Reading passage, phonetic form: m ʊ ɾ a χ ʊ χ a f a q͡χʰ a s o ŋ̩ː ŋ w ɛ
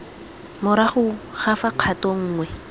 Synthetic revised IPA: m ʊ ɾ a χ ʊ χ a f a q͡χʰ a t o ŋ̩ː ŋ w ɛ